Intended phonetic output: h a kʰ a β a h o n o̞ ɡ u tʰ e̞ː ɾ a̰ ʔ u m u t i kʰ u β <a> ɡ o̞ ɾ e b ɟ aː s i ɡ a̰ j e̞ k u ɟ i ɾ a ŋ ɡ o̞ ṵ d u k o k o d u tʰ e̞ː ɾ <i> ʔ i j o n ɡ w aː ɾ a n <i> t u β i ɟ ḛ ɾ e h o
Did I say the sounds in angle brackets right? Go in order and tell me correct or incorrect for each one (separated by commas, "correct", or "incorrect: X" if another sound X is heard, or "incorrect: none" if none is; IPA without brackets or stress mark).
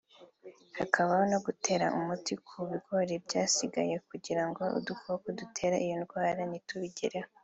incorrect: i, incorrect: a, correct